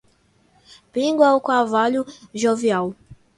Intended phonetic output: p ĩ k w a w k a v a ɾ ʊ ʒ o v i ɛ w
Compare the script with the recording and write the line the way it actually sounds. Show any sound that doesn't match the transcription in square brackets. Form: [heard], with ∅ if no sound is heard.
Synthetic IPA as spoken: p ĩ [ɡ] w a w k a v a [ʎ] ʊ ʒ o v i [a] w

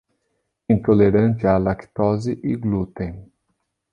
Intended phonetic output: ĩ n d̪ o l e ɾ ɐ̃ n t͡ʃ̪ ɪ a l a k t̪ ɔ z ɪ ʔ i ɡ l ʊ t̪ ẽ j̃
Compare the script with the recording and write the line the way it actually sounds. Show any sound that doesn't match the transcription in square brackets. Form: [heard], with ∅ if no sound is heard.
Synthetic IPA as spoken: ĩ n [t̪] o l e ɾ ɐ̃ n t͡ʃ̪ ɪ a l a k t̪ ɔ z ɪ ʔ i ɡ l [u] t̪ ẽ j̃

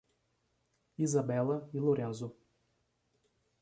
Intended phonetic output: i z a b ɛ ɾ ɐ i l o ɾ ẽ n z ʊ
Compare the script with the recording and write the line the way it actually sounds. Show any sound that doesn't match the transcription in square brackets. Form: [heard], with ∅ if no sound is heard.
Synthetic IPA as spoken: i z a b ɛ [l] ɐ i l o ɾ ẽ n z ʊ

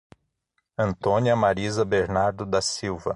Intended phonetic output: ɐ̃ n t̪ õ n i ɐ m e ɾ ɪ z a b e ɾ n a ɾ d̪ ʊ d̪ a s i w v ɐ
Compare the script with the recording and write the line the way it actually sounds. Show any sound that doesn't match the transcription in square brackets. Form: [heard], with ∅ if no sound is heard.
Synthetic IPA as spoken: ɐ̃ n t̪ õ n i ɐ m [a] ɾ [i] z [ɐ] b e ɾ n a ɾ d̪ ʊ d̪ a s i w v ɐ

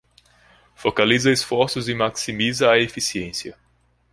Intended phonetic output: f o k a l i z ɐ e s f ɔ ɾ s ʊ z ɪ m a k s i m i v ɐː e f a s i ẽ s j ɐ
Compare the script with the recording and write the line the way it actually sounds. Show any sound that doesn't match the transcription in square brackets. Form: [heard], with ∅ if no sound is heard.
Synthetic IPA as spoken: f o k a l i z ɐ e s f ɔ ɾ s ʊ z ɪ m a k s i m i [z] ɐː e f [i] s i ẽ s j ɐ

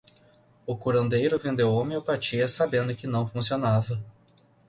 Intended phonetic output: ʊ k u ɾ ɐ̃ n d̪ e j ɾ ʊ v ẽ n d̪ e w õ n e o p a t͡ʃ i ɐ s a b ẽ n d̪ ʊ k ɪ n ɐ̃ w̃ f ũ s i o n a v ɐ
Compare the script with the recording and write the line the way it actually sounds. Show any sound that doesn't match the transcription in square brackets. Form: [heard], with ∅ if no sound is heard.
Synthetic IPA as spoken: ʊ k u ɾ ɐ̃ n d̪ e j ɾ ʊ v ẽ n d̪ e w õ [m] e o p a t͡ʃ i ɐ s a b ẽ n d̪ ʊ k ɪ n ɐ̃ w̃ f ũ s i o n a v ɐ

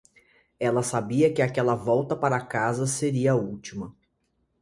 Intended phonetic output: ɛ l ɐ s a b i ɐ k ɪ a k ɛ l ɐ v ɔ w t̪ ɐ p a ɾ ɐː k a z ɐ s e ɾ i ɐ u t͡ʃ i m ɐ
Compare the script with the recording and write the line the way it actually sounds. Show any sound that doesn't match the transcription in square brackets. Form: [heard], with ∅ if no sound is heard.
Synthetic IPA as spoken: ɛ l ɐ s a b i ɐ k ɪ a k ɛ l ɐ v ɔ w t̪ ɐ p a ɾ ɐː k a z ɐ s e ɾ i ɐ u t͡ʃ i m ɐ

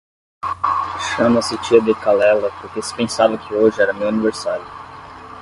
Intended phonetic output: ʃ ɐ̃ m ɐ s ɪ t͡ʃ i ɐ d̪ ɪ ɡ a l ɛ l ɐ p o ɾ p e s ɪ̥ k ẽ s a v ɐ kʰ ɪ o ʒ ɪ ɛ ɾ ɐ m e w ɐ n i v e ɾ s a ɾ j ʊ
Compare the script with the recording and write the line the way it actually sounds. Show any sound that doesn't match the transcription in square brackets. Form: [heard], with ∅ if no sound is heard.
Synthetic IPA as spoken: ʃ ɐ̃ m ɐ s ɪ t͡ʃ i ɐ d̪ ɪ [k] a l ɛ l ɐ p o ɾ [k] e s ɪ̥ [p] ẽ s a v ɐ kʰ ɪ o ʒ ɪ ɛ ɾ ɐ m e w ɐ n i v e ɾ s a ɾ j ʊ

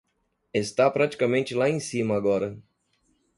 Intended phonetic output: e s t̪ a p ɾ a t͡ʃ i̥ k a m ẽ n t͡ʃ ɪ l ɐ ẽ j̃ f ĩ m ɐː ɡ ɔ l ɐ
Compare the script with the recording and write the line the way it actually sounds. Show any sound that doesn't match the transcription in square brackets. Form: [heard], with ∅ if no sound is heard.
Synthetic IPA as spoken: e s t̪ a p ɾ a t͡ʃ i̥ k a m ẽ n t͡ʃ ɪ l [a] ẽ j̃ [s] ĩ m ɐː ɡ ɔ [ɾ] ɐ

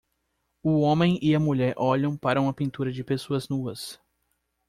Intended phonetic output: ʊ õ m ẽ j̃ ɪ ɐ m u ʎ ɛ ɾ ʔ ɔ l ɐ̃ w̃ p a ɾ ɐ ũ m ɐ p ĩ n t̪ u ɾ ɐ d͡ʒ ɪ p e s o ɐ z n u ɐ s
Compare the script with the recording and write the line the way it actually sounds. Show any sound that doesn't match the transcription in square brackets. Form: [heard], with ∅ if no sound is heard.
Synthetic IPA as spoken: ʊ õ m ẽ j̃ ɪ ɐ m u ʎ ɛ ɾ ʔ ɔ [ʎ] ɐ̃ w̃ p a ɾ ɐ ũ m ɐ p ĩ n t̪ u ɾ ɐ d͡ʒ ɪ p e s o ɐ z n u ɐ s

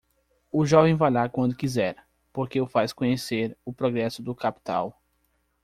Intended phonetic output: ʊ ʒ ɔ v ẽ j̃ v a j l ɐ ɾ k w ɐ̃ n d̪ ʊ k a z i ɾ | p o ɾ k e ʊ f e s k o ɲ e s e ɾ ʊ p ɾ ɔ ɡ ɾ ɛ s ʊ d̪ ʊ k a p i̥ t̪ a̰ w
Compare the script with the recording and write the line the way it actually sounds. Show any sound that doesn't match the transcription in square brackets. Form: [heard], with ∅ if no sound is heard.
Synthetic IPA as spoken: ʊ ʒ ɔ v ẽ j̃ v a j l [a] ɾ k w ɐ̃ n d̪ ʊ k [i] z [ɛ] ɾ | p o ɾ k e ʊ f [a] s k [õ] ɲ e s e ɾ ʊ p ɾ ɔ ɡ ɾ ɛ s ʊ d̪ ʊ k a p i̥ t̪ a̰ w

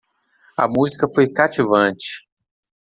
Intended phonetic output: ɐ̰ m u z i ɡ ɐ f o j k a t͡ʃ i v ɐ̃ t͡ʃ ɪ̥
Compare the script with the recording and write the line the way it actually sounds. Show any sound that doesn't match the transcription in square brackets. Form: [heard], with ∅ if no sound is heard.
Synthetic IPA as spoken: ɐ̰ m u z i [k] ɐ f o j k a t͡ʃ i v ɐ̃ t͡ʃ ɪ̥

